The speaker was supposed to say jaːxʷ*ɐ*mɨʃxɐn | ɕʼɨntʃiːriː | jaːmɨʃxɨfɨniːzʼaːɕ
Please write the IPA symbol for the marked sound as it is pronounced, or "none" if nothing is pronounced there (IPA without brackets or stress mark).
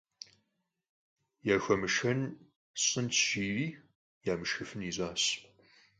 ɐ